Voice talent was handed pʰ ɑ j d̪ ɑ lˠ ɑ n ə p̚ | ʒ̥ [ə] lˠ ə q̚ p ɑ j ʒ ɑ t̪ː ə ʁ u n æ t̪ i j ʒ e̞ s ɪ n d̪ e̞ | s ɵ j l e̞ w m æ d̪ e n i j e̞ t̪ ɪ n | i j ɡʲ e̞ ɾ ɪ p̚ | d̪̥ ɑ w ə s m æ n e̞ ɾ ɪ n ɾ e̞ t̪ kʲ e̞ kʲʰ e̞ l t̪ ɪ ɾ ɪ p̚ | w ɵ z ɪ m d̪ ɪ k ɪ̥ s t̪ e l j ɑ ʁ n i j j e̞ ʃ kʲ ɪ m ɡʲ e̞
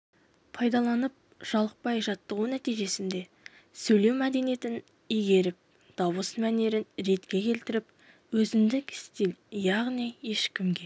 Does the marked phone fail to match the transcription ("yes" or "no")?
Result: yes